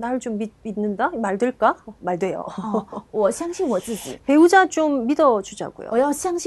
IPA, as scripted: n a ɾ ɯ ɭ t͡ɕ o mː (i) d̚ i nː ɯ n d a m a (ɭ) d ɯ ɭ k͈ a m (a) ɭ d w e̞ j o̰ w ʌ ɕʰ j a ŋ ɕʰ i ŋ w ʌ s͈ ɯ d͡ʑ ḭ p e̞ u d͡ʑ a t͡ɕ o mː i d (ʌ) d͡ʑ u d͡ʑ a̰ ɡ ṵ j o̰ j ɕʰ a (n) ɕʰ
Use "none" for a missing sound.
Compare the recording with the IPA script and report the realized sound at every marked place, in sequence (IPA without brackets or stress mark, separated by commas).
i, ɭ, a, ʌ, ŋ